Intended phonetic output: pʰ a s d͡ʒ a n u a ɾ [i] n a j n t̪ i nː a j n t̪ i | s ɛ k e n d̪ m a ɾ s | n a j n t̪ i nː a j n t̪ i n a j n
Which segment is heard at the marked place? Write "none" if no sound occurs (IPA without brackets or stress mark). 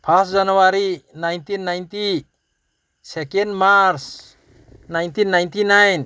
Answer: i